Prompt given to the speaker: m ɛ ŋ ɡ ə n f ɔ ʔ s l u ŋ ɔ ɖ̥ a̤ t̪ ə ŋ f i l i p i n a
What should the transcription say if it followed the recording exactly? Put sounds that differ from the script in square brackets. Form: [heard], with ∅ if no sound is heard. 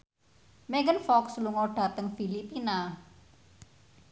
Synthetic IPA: m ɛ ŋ ɡ ə n f ɔ [k] s l u ŋ ɔ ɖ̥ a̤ t̪ ə ŋ f i l i p i n a